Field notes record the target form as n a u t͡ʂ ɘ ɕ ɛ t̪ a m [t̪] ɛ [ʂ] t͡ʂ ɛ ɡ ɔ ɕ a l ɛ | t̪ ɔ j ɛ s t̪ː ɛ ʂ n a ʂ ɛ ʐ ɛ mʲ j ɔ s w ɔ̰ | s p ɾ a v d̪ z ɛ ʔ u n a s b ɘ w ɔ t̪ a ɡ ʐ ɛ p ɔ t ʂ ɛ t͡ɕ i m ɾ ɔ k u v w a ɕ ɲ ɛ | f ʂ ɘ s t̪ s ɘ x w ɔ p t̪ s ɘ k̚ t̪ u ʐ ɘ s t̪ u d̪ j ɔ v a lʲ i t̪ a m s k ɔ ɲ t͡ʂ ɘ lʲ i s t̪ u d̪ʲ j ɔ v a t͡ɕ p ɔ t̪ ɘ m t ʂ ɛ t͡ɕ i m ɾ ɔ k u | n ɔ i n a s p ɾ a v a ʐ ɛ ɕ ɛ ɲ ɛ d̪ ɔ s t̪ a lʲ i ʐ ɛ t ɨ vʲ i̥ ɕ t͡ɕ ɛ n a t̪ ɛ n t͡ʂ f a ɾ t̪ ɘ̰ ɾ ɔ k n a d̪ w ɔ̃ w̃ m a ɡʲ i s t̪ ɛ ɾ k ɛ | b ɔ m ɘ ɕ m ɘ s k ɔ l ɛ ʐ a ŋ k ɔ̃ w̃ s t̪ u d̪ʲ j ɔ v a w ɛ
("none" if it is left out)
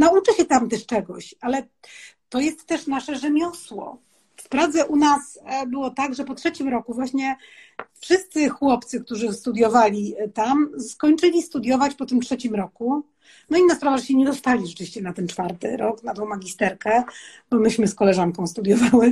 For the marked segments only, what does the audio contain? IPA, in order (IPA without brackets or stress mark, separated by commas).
t̪, ʂ